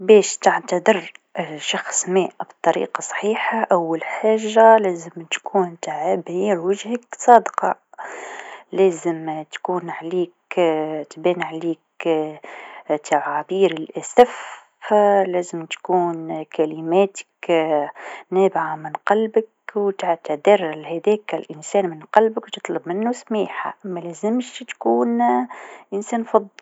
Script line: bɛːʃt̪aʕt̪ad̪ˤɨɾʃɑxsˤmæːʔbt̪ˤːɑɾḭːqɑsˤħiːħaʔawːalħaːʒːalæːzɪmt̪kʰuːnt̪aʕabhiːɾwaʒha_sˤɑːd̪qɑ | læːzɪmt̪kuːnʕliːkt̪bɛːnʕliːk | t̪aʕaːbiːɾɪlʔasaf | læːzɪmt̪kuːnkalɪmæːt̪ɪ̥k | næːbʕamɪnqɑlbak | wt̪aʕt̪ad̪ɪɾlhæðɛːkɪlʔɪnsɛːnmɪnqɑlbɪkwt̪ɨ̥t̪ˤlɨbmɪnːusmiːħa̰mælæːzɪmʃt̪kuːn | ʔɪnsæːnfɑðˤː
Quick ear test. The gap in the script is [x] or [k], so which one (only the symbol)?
k